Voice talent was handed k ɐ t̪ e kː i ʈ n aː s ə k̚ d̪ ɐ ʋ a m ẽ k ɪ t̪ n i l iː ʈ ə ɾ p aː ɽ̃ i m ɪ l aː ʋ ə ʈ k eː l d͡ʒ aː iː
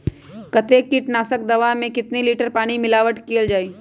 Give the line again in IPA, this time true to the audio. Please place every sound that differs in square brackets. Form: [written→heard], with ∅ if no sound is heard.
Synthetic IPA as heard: k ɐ t̪ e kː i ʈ n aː s ə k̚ d̪ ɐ ʋ a m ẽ k ɪ t̪ n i l iː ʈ ə ɾ p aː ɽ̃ i m ɪ l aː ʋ ə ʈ k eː l d͡ʒ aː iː